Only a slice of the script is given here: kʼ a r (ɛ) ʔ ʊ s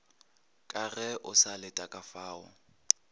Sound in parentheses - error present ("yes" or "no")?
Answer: no